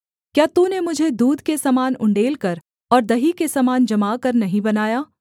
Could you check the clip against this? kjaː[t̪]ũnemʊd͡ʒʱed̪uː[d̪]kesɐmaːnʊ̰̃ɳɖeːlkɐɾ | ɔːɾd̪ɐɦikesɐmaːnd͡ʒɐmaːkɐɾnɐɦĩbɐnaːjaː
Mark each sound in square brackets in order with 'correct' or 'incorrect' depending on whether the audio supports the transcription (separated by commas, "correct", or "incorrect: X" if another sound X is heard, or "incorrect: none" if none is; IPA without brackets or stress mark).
correct, correct